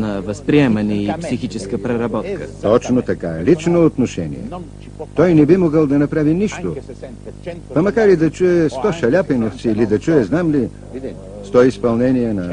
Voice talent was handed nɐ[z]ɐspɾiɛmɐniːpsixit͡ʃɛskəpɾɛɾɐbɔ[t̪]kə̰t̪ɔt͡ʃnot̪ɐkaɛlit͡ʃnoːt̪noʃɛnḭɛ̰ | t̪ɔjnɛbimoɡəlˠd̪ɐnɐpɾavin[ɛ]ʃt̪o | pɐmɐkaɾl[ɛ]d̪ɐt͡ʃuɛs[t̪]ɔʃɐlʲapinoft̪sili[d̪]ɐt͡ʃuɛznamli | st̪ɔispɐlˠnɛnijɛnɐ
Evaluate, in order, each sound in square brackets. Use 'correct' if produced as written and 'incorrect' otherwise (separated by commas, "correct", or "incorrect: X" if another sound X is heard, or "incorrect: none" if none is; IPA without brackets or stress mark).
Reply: incorrect: v, correct, incorrect: i, incorrect: i, correct, correct